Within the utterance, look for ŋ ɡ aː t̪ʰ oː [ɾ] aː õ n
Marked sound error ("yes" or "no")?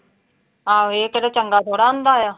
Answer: yes